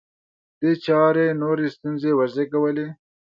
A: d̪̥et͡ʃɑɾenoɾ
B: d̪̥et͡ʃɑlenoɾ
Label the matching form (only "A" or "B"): A